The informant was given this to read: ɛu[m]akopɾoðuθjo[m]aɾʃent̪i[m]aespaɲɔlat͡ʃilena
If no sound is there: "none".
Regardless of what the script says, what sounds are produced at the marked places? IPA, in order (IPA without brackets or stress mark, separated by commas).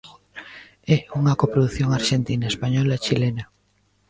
ŋ, ŋ, n